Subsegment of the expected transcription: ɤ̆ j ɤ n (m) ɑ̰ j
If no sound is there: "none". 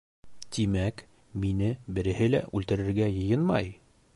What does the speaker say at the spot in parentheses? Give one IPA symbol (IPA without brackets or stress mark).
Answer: m